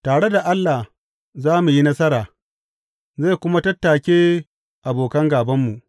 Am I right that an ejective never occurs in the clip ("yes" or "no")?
yes